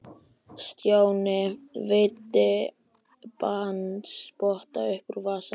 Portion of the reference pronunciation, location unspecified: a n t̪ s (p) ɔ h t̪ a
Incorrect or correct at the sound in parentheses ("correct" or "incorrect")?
correct